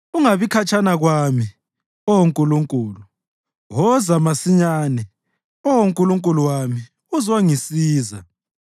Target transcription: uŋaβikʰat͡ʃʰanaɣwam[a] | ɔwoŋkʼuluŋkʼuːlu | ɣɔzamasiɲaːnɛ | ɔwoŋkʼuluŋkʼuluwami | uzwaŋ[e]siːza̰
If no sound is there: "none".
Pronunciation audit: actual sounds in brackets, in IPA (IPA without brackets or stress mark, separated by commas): i, i